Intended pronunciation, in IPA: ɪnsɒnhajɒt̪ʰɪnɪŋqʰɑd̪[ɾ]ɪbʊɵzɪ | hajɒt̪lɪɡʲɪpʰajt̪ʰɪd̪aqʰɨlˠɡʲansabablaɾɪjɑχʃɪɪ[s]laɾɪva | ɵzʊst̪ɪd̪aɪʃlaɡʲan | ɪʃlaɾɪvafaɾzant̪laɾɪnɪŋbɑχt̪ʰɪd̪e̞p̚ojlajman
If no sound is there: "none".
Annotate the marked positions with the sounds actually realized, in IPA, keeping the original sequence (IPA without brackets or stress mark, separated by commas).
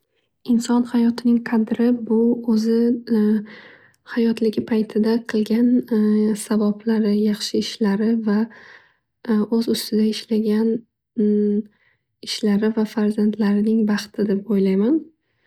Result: ɾ, ʃ